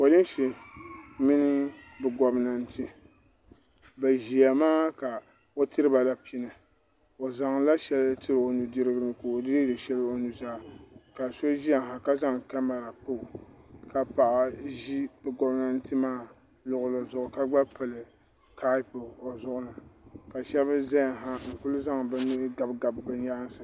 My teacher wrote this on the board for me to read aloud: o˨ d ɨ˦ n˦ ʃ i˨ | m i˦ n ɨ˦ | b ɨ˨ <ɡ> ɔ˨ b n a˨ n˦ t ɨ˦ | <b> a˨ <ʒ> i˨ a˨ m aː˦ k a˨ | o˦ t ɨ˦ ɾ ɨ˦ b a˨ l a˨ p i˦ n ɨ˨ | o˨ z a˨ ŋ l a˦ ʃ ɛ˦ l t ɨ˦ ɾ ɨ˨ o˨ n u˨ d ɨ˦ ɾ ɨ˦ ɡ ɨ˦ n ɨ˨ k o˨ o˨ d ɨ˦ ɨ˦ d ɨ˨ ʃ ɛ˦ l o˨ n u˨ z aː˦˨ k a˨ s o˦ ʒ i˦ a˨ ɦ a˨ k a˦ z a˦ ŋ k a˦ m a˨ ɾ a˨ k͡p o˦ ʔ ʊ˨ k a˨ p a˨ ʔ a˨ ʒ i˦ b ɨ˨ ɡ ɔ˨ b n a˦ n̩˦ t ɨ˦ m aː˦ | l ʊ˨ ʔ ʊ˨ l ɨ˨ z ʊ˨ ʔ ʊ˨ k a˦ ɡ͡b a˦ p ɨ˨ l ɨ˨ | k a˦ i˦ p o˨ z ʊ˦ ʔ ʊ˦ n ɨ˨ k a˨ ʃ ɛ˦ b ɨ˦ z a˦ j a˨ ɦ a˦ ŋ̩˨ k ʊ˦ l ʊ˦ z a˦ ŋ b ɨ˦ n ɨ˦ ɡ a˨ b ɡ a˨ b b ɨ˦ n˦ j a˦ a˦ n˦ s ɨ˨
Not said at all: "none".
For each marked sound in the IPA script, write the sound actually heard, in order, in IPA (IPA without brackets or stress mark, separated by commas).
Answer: ɡ, b, ʒ